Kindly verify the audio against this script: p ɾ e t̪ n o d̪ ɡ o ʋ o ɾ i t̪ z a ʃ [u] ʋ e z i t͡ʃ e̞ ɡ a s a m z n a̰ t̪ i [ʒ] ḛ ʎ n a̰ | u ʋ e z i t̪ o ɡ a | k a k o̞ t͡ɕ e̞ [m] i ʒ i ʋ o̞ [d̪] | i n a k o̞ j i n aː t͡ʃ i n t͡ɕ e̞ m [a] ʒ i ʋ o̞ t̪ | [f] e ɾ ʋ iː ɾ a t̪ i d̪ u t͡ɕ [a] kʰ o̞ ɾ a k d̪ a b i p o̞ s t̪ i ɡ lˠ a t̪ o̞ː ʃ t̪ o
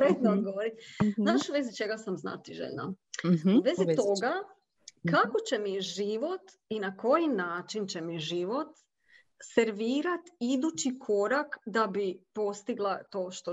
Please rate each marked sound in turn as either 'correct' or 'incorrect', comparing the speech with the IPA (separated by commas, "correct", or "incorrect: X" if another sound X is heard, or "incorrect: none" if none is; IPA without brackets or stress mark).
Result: correct, correct, correct, incorrect: t̪, incorrect: i, incorrect: s, incorrect: i